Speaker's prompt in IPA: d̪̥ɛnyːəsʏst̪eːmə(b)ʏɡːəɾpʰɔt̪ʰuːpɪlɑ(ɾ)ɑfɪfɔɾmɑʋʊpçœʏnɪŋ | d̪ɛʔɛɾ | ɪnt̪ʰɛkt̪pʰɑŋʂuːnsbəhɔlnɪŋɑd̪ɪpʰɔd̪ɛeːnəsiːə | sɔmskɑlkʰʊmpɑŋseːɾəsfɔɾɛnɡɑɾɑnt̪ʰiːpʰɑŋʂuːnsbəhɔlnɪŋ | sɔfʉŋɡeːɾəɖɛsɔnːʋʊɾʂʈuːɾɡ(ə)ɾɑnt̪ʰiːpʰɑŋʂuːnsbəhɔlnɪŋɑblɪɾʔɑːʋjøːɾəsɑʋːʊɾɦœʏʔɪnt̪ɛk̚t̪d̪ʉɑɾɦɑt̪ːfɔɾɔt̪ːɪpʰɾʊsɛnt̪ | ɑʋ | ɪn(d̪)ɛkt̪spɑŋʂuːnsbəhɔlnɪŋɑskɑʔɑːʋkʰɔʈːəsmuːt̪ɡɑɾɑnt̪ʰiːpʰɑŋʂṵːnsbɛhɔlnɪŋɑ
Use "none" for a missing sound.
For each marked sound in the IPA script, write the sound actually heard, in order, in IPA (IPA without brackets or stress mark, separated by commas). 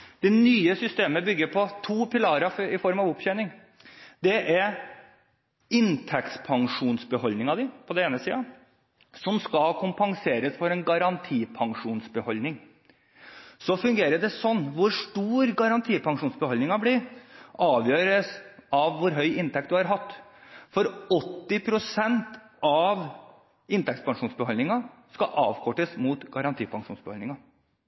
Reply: b, ɾ, ɑ, t̪